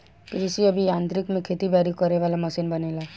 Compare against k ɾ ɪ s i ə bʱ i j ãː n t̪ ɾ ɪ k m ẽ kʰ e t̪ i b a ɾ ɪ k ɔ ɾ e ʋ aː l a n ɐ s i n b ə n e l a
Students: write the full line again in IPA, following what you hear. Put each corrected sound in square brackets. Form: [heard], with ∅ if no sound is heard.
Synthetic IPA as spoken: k ɾ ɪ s i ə bʱ i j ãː n t̪ ɾ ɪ k m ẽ kʰ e t̪ i b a ɾ [i] k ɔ ɾ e ʋ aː l a [m] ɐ s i n b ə n e l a